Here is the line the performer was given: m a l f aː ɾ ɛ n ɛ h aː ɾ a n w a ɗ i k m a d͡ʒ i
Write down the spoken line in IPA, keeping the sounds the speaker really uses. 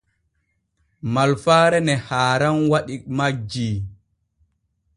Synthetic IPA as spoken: m a l f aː ɾ ɛ n ɛ h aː ɾ a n w a ɗ i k m a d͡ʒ i